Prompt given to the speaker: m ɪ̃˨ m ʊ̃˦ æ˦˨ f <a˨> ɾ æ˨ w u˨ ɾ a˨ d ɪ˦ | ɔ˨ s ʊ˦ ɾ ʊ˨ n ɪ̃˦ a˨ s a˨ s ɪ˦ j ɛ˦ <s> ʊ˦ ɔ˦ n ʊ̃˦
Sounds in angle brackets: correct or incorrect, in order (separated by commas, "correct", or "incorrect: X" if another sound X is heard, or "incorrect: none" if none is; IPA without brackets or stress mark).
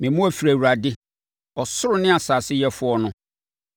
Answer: incorrect: i˨, incorrect: f